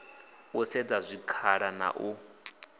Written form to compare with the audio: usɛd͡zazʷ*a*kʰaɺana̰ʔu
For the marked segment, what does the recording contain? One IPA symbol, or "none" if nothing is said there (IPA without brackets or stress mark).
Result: i